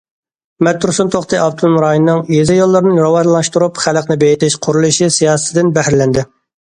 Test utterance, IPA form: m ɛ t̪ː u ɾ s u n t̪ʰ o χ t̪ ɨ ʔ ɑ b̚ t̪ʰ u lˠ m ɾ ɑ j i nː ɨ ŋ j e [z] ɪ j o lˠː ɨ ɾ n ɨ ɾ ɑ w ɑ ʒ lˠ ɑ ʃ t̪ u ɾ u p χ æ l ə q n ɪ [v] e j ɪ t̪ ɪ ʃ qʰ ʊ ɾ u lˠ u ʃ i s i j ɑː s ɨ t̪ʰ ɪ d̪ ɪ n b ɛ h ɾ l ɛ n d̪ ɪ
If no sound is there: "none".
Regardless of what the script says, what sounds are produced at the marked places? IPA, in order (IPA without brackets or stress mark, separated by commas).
z, b